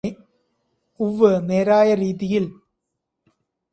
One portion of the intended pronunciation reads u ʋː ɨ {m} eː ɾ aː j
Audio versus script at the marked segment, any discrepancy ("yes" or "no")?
yes